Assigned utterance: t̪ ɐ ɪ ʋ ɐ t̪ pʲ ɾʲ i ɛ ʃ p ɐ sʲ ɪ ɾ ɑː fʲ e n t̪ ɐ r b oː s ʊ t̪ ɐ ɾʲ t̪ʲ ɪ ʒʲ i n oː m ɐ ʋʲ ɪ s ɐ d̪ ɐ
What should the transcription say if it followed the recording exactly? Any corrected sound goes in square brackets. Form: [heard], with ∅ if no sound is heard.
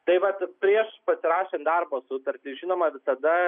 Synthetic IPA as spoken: t̪ ɐ ɪ ʋ ɐ t̪ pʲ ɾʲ i ɛ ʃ p ɐ sʲ ɪ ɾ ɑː [ʃʲ] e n [d̪] ɐ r b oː s ʊ t̪ ɐ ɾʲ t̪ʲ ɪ ʒʲ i n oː m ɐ ʋʲ ɪ s ɐ d̪ ɐ